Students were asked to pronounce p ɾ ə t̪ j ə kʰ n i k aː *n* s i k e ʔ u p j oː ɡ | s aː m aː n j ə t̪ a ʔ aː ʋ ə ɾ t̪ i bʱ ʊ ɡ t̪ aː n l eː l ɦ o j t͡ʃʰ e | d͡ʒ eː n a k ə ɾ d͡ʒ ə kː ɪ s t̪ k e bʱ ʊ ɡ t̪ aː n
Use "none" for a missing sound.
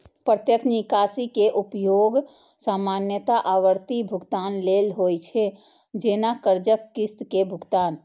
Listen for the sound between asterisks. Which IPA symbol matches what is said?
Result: none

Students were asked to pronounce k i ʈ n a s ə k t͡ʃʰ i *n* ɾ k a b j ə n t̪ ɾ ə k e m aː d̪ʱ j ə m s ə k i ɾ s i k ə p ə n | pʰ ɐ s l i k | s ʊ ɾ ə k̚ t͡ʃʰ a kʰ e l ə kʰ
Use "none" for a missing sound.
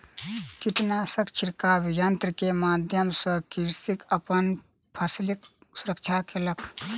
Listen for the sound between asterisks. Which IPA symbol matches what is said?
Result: none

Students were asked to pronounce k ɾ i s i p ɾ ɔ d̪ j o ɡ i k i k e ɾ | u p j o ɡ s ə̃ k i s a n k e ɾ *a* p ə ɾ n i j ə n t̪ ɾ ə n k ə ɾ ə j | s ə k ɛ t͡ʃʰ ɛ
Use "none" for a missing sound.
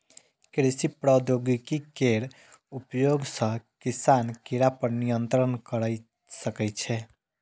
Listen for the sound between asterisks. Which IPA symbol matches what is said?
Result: a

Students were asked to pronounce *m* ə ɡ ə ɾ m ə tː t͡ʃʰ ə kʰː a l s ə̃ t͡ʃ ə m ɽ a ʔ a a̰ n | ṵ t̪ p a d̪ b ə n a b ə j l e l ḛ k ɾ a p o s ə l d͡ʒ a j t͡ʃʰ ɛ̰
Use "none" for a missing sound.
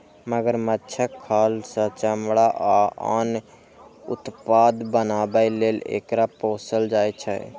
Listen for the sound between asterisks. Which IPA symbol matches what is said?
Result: m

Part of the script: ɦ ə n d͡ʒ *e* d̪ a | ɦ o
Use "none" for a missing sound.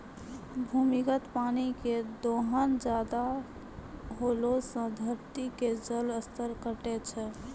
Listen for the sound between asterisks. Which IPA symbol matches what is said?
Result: a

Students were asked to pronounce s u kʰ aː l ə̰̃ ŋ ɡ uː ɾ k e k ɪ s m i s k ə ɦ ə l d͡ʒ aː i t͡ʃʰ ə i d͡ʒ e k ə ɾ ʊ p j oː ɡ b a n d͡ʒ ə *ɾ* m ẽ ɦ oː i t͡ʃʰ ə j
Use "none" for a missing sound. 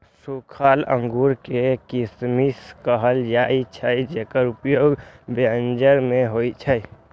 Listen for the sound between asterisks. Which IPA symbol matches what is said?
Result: ɾ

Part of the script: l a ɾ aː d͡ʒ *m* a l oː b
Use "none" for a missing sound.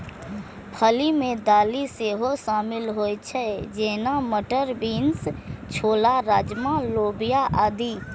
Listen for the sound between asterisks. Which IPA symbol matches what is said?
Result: m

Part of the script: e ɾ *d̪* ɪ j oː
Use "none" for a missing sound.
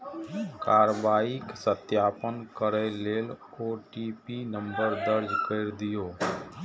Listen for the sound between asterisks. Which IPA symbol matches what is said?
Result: d̪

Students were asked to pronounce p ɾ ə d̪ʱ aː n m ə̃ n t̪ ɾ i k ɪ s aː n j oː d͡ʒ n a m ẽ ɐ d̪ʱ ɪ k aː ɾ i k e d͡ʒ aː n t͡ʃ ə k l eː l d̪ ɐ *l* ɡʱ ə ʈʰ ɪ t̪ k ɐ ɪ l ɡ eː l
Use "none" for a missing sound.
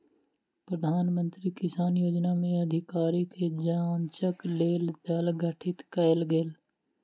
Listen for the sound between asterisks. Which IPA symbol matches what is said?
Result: l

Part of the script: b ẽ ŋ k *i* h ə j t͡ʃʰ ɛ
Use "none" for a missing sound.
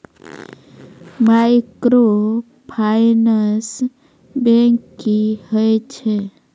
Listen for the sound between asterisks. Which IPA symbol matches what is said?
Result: i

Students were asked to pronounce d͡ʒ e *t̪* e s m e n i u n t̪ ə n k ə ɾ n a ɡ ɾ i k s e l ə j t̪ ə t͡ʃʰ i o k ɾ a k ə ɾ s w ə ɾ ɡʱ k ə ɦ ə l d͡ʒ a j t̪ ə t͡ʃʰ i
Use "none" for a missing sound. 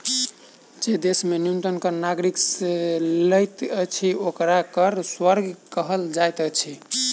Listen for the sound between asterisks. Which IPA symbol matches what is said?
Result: d̪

